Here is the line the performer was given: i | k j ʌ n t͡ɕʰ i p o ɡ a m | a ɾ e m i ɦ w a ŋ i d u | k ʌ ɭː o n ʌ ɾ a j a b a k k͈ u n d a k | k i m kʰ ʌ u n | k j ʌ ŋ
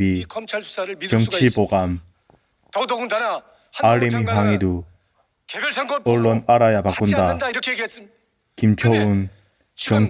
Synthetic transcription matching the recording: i | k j ʌ ŋ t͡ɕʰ i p o ɡ a m | a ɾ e m i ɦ w a ŋ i d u | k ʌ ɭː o n a ɾ a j a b a k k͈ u n d a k | k i m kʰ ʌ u n | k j ʌ ŋ